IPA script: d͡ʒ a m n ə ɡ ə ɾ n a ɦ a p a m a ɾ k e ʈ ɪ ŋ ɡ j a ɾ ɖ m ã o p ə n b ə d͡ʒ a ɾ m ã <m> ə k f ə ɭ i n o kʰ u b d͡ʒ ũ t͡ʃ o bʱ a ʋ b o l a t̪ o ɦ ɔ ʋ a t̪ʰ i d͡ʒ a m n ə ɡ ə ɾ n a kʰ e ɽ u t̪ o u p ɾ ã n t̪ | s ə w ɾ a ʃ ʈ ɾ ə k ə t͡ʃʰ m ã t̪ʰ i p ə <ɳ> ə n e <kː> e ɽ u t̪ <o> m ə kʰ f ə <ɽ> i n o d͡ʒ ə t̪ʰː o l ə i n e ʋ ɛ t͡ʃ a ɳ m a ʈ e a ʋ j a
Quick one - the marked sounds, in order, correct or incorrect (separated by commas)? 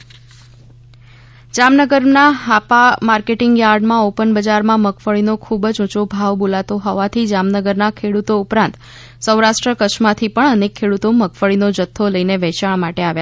correct, correct, incorrect, correct, incorrect